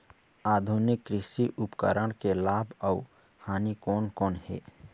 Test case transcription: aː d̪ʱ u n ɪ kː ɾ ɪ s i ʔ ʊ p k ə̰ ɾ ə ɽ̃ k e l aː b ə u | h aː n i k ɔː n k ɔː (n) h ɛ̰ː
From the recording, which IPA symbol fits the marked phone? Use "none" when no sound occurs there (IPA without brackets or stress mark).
n